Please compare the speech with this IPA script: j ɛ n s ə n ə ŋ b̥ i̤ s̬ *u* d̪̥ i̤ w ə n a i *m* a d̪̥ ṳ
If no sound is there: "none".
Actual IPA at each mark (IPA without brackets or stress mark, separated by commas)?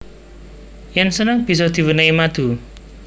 ɔ, m